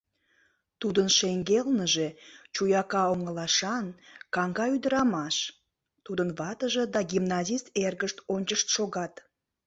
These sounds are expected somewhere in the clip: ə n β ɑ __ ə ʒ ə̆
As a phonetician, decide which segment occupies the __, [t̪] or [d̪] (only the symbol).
t̪